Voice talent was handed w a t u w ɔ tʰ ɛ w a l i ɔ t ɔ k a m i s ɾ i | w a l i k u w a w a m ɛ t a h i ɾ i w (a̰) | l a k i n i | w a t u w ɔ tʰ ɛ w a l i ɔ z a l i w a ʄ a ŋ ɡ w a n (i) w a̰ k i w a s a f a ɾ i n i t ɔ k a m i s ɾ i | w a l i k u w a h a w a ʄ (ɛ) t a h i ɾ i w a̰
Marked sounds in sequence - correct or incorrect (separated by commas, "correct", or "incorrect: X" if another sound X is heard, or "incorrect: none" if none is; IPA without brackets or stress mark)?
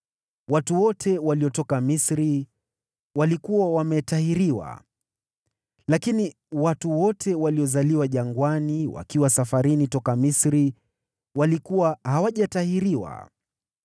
correct, correct, incorrect: a